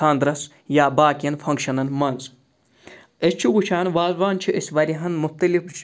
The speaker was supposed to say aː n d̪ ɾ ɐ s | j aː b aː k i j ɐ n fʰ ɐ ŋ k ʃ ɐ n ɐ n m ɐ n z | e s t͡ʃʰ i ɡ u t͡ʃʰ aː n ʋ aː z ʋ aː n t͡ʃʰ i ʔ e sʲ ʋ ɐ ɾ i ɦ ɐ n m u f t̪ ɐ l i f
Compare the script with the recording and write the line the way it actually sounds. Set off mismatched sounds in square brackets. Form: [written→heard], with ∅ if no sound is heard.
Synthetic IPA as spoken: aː n d̪ ɾ ɐ s | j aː b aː k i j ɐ n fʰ ɐ ŋ k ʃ ɐ n ɐ n m ɐ n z | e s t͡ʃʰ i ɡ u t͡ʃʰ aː n ʋ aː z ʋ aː n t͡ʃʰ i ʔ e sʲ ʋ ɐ ɾ i ɦ ɐ n m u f t̪ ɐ l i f

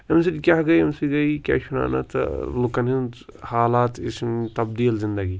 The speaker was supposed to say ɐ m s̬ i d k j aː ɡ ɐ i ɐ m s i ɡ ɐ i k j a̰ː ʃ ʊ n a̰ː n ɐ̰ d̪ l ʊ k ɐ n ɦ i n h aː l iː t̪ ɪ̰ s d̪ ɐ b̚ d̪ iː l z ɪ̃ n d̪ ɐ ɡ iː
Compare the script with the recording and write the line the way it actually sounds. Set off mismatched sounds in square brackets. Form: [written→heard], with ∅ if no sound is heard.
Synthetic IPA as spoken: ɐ m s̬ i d k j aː ɡ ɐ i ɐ m s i ɡ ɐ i k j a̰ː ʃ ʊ n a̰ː n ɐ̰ [d̪→t̪] l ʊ k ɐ n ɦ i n h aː l [iː→aː] t̪ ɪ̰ s [d̪→t̪] ɐ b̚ d̪ iː l z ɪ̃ n d̪ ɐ ɡ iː

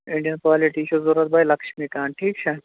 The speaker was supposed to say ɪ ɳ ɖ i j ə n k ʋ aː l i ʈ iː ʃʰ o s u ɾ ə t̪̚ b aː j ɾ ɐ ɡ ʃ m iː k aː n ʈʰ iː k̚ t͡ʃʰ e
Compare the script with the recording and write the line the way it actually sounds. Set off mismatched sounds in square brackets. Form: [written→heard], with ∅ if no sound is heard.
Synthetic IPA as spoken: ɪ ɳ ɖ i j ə n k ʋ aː l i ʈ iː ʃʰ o [s→z] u ɾ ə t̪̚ b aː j [ɾ→l] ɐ [ɡ→k] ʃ m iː k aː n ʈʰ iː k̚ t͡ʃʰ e

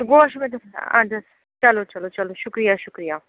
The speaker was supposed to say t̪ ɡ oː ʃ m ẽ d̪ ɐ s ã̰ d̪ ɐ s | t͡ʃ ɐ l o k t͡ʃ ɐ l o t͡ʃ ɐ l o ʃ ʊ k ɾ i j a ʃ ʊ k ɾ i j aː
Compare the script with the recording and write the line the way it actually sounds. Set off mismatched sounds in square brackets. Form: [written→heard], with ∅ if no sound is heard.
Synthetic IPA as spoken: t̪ ɡ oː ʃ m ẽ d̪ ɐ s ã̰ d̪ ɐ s | t͡ʃ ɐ l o [k→∅] t͡ʃ ɐ l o t͡ʃ ɐ l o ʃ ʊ k ɾ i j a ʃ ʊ k ɾ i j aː

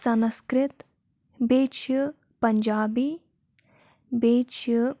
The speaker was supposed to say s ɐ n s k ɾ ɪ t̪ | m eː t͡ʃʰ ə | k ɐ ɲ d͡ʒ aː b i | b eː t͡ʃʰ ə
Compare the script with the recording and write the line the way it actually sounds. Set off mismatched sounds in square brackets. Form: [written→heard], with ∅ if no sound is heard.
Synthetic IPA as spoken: s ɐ n s k ɾ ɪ t̪ | [m→b] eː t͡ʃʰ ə | [k→p] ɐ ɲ d͡ʒ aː b i | b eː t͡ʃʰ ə

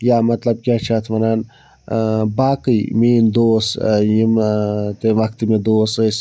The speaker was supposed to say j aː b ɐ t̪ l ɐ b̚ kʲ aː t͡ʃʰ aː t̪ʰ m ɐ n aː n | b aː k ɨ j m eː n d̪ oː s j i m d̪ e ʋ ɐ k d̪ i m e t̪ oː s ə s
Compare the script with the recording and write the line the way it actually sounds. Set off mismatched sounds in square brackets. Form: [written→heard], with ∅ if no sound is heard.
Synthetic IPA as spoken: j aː [b→m] ɐ t̪ l ɐ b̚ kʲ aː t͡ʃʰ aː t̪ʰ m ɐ n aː n | b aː k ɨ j m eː n d̪ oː s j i m [d̪→t̪] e ʋ ɐ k [d̪→t̪] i m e [t̪→d̪] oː s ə s

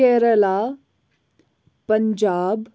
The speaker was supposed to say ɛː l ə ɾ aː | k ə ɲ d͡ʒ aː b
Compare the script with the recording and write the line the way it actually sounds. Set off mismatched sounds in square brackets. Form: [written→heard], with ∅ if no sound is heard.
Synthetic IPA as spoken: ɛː [l→ɾ] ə [ɾ→l] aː | [k→p] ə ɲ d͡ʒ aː b

